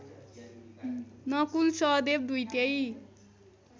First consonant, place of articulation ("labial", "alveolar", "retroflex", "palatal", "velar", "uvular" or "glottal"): alveolar